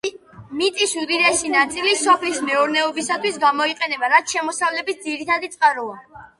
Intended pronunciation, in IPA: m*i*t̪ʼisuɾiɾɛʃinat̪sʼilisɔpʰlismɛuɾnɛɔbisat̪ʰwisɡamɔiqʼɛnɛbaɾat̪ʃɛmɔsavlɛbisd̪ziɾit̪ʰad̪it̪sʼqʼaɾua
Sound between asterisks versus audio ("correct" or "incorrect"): correct